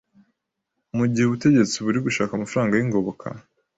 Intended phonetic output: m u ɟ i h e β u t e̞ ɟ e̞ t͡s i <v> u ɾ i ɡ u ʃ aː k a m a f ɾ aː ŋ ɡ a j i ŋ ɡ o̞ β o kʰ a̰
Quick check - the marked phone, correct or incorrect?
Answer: incorrect